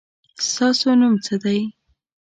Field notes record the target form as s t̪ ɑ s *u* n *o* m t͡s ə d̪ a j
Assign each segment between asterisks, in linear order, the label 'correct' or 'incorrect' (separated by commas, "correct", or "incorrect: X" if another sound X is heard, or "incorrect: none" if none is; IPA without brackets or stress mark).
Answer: incorrect: o, incorrect: u